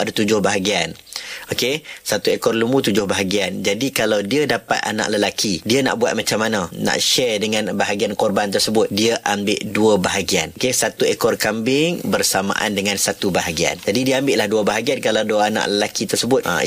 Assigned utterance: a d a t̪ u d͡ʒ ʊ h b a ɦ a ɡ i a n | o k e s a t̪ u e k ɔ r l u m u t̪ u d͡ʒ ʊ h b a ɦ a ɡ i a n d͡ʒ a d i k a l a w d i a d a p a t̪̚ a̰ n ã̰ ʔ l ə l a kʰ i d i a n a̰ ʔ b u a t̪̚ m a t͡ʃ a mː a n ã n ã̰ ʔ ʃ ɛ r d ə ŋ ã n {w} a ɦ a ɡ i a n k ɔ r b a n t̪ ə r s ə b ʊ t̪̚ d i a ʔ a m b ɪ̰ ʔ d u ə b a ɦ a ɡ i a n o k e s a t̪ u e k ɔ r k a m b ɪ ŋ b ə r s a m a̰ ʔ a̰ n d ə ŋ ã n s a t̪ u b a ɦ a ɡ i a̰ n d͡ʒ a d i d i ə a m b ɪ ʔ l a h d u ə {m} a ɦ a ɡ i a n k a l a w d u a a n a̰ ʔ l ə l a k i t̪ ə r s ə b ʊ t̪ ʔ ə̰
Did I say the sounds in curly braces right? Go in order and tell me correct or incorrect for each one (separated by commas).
incorrect, incorrect